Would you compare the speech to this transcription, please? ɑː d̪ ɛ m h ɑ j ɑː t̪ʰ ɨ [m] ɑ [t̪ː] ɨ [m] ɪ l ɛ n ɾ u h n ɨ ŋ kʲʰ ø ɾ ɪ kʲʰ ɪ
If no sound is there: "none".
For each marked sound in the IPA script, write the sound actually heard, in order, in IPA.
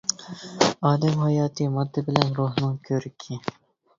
m, d̪ː, b

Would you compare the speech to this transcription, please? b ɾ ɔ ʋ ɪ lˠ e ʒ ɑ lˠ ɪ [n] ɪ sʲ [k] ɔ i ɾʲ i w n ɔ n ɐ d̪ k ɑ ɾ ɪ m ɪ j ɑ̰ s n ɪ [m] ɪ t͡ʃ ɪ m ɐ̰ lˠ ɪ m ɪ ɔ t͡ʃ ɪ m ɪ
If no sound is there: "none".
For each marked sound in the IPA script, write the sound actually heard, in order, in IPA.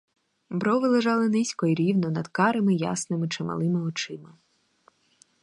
n, k, m

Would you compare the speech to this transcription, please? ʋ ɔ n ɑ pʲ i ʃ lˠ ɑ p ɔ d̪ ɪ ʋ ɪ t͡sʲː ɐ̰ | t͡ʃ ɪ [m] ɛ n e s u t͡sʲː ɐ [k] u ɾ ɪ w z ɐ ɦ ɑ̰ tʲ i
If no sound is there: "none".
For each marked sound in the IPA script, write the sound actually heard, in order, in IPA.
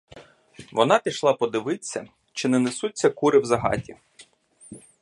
n, k

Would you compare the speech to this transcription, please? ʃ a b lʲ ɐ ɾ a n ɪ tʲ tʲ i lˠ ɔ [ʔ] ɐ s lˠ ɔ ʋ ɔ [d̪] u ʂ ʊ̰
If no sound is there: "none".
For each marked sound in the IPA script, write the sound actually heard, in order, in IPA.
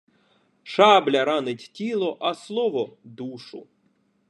ʔ, d̪

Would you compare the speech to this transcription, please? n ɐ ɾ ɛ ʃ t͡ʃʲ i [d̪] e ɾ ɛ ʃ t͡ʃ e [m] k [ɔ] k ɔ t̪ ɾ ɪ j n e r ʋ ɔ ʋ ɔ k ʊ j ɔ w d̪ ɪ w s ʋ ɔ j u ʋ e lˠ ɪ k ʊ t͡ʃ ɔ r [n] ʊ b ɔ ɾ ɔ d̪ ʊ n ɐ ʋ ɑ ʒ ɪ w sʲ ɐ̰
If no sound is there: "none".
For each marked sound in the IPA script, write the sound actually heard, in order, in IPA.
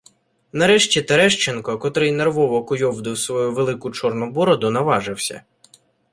t̪, n, ɔ, n

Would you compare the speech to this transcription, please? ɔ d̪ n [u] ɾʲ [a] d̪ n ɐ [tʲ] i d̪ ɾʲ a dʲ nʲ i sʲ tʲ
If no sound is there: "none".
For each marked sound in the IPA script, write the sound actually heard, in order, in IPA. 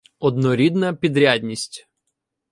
ɔ, i, pʲ

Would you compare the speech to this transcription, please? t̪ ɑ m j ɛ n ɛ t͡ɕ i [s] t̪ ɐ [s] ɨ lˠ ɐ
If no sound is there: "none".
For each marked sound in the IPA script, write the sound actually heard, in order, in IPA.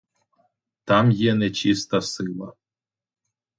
s, s

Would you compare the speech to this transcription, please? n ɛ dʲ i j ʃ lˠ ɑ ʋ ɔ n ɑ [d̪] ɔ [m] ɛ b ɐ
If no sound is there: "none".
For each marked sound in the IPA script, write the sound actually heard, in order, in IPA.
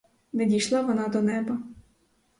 d̪, n

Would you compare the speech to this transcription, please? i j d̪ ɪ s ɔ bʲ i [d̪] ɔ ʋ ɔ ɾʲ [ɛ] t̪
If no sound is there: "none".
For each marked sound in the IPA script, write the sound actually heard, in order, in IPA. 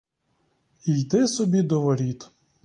d̪, i

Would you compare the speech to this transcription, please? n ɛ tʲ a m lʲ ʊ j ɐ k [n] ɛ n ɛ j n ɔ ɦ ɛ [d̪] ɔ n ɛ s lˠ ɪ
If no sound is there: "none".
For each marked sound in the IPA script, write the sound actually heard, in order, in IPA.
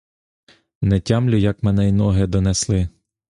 m, d̪

